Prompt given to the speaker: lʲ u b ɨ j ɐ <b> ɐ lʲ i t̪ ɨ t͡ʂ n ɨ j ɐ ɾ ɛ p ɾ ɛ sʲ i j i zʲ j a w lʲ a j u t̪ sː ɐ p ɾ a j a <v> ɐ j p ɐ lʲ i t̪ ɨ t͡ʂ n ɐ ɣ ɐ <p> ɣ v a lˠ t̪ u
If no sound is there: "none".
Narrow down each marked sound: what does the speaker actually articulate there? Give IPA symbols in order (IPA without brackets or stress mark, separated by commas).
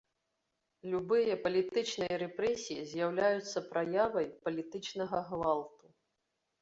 p, v, none